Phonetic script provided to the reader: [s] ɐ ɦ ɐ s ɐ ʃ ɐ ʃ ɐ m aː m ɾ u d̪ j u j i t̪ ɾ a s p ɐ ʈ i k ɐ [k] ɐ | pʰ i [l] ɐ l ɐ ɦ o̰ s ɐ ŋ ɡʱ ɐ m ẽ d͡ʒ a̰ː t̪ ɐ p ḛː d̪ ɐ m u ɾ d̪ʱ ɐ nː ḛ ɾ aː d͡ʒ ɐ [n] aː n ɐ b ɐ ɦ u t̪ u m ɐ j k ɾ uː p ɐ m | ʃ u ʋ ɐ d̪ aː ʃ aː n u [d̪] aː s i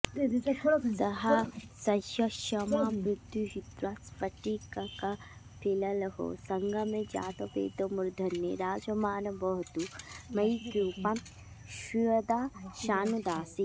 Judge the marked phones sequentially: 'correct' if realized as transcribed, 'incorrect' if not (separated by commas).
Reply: correct, correct, correct, incorrect, correct